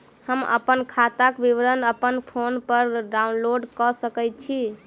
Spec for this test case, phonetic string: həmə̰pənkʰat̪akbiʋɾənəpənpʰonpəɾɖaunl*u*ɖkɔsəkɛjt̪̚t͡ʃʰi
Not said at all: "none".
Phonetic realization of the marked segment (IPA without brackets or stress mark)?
o